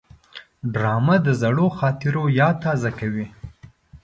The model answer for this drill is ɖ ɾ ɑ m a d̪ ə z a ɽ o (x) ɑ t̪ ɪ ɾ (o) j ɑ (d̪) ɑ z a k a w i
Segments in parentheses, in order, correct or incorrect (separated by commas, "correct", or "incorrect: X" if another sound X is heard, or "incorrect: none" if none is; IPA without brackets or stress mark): correct, correct, incorrect: t̪